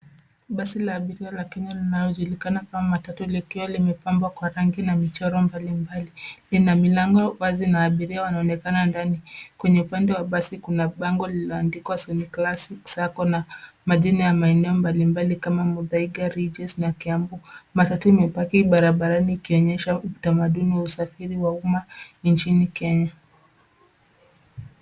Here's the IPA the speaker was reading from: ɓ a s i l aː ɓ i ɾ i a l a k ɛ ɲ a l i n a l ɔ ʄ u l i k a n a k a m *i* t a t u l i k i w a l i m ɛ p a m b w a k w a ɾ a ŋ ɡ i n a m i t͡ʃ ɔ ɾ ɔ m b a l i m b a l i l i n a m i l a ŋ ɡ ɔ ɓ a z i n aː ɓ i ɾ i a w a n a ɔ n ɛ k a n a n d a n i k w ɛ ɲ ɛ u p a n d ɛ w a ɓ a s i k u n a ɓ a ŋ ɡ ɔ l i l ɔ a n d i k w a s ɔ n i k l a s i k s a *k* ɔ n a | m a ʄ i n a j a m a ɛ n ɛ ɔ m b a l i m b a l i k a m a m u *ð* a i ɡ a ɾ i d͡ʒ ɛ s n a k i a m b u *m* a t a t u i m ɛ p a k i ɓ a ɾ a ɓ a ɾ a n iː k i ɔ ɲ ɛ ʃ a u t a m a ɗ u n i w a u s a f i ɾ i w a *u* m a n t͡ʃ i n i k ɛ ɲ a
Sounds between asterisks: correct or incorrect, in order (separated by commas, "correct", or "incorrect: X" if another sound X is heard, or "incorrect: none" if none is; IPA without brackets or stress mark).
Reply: incorrect: a, correct, correct, correct, correct